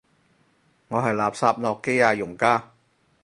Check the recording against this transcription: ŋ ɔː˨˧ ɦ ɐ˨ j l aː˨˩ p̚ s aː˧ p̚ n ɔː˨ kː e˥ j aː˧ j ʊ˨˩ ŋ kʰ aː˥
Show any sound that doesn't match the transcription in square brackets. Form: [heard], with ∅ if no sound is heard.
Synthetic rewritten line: ŋ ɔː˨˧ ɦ ɐ˨ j l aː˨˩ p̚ s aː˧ p̚ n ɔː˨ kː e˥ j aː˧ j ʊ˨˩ ŋ [k] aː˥